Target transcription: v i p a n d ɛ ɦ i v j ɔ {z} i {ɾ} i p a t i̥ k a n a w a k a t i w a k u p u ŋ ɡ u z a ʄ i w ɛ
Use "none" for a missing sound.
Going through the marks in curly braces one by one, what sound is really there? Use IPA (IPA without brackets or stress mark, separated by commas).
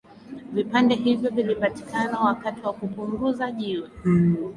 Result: v, l